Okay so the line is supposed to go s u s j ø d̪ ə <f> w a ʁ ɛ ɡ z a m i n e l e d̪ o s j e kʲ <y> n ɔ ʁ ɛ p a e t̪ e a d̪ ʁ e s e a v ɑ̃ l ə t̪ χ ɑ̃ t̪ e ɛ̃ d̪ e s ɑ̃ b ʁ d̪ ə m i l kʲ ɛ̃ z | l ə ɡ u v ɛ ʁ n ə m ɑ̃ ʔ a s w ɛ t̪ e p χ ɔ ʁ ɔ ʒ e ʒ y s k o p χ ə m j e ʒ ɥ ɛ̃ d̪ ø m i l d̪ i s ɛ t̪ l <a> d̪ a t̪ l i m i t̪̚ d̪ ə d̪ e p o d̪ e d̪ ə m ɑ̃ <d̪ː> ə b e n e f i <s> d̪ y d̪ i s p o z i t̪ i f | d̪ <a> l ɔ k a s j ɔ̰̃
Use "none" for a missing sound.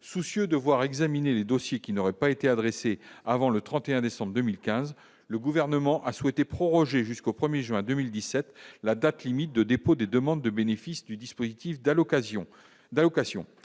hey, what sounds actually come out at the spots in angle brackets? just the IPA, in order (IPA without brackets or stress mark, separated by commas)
v, i, a, d̪ː, s, a